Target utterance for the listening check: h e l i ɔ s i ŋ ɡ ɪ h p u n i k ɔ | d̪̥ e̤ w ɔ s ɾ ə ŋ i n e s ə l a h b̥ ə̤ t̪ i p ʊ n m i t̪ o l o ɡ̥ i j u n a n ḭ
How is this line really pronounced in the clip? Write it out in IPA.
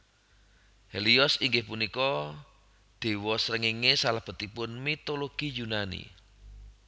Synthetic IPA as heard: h e l i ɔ s i ŋ ɡ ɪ h p u n i k ɔ | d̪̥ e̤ w ɔ s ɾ ə ŋ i ŋ e s a l a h b̥ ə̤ t̪ i p ʊ n m i t̪ o l o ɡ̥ i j u n a n ḭ